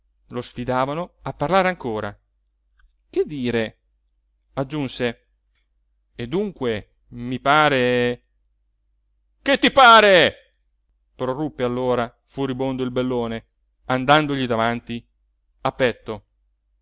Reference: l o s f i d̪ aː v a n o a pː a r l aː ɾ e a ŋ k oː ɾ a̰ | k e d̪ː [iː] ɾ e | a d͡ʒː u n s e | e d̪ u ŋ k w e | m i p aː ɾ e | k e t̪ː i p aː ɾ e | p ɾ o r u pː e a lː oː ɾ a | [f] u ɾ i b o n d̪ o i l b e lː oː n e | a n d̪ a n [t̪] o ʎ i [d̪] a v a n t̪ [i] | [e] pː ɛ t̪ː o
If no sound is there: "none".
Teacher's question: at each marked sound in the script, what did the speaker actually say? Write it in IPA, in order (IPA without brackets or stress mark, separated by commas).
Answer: iː, f, d̪, d̪, i, a